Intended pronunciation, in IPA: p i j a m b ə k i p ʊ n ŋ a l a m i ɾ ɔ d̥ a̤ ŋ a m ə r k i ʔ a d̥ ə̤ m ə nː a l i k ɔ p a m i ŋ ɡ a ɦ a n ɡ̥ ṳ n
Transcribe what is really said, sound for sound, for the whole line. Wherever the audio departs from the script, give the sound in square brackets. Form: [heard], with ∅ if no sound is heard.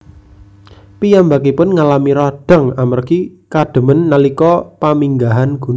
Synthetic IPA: p i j a m b [a] k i p ʊ n ŋ a l a m i ɾ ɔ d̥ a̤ ŋ a m ə r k i [k] a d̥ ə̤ m ə nː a l i k ɔ p a m i ŋ ɡ a ɦ a n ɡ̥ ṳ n